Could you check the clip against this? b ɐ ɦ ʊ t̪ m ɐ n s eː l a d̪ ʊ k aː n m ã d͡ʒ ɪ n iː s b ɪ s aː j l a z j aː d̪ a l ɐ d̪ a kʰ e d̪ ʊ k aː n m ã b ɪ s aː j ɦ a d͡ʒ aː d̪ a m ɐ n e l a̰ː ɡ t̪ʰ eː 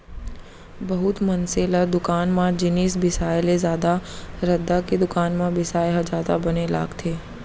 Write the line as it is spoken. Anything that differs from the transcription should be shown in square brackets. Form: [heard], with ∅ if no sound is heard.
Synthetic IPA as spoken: b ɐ ɦ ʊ t̪ m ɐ n s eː l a d̪ ʊ k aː n m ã d͡ʒ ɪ n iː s b ɪ s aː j l [e] z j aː d̪ a [ɾ] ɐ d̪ a [k] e d̪ ʊ k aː n m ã b ɪ s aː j ɦ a d͡ʒ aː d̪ a [b] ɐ n e l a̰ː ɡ t̪ʰ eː

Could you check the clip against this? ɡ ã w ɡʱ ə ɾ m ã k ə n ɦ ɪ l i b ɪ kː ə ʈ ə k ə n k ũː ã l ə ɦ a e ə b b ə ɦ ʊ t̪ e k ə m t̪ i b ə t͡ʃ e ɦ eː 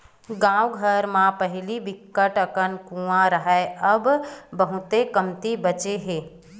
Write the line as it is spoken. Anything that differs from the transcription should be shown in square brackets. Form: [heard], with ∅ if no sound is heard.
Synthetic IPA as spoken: ɡ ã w ɡʱ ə ɾ m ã [p] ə [∅] ɦ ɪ l i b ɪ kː ə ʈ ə k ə n k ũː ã [ɾ] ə ɦ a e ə b b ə ɦ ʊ t̪ e k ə m t̪ i b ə t͡ʃ e ɦ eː

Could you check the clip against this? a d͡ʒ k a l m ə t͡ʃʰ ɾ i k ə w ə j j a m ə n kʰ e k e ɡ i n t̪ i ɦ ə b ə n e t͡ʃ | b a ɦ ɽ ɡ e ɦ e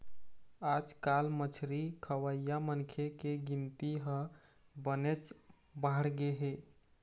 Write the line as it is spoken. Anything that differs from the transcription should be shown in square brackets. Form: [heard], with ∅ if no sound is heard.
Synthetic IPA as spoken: a d͡ʒ k a l m ə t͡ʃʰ ɾ i [kʰ] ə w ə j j a m ə n kʰ e k e ɡ i n t̪ i ɦ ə b ə n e t͡ʃ | b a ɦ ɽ ɡ e ɦ e

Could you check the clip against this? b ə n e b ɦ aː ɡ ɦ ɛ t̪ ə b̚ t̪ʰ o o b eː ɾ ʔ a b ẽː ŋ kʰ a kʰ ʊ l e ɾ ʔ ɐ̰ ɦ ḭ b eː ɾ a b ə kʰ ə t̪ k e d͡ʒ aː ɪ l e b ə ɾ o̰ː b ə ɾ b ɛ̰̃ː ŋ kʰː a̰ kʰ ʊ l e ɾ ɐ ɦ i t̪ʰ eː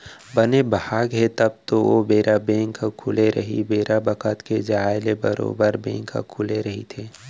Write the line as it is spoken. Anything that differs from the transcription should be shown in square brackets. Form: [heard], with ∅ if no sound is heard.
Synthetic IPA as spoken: b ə n e b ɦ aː ɡ ɦ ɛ t̪ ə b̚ [t̪] o o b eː ɾ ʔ a b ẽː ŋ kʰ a kʰ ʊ l e ɾ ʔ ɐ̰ ɦ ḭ b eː ɾ a b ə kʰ ə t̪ k e d͡ʒ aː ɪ l e b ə ɾ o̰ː b ə ɾ b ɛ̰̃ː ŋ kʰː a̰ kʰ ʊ l e ɾ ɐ ɦ i t̪ʰ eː

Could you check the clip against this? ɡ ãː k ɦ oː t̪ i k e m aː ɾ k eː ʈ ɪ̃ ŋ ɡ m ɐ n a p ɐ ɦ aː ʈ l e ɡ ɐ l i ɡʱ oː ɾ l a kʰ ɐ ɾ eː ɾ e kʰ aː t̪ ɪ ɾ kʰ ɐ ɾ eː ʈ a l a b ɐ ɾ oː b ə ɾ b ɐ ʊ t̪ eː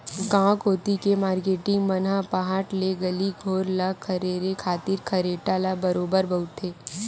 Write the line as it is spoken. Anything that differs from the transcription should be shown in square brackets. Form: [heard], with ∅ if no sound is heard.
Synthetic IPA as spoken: ɡ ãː k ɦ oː t̪ i k e m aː ɾ k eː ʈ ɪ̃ ŋ ɡ m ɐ n a p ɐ ɦ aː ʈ l e ɡ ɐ l i ɡʱ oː ɾ l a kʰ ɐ ɾ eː ɾ e kʰ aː t̪ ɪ ɾ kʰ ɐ ɾ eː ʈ a l a b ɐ ɾ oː b ə ɾ b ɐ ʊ t̪ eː

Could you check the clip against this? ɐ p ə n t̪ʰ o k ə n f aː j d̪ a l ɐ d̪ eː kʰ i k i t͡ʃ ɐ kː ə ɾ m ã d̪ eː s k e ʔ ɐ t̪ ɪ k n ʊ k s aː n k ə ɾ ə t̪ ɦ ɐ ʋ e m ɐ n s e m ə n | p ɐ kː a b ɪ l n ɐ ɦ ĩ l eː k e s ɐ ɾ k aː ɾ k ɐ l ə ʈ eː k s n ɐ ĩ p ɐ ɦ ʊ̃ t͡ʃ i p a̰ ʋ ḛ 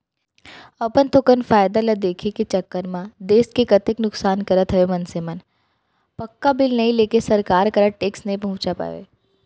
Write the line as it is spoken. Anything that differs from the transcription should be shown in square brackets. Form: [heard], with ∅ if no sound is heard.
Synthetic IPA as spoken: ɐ p ə n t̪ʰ o k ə n f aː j d̪ a l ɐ d̪ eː kʰ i k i t͡ʃ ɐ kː ə ɾ m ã d̪ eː s k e [k] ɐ t̪ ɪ k n ʊ k s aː n k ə ɾ ə t̪ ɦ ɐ ʋ e m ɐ n s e m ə n | p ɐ kː a b ɪ l n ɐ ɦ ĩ l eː k e s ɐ ɾ k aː ɾ k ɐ [ɾ] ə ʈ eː k s n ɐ ĩ p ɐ ɦ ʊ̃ t͡ʃ [a] p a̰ ʋ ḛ

